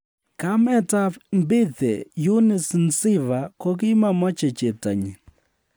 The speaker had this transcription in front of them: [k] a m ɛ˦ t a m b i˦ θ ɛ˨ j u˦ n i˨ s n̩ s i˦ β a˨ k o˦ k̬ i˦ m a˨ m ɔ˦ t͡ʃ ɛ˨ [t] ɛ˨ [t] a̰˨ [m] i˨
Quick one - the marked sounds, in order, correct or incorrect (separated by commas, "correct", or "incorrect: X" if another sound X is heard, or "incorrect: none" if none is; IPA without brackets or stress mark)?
correct, incorrect: t͡ʃ, correct, incorrect: ɲ